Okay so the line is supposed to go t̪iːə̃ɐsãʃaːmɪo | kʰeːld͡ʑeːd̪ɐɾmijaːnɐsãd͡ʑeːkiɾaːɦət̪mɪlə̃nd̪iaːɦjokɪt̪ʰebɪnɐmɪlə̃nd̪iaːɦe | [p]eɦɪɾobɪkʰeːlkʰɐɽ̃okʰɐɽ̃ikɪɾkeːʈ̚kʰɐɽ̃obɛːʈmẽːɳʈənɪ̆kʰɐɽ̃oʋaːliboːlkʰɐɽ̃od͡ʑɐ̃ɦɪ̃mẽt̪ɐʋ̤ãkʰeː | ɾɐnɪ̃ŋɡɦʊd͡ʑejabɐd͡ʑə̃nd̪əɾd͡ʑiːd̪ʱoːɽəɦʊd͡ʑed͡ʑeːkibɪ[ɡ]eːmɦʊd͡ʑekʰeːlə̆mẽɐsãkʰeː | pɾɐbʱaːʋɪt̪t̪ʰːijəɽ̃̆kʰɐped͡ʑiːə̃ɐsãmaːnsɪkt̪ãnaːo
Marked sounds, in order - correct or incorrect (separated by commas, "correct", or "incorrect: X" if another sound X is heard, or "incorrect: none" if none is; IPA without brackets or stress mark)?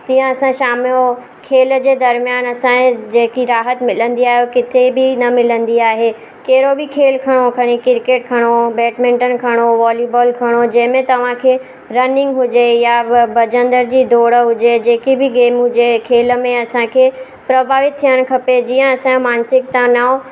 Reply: incorrect: k, correct